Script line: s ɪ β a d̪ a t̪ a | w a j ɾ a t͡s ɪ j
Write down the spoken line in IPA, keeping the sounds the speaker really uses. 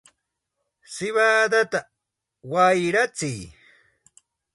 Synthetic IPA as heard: s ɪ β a d̪ a t̪ a | w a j ɾ a t͡s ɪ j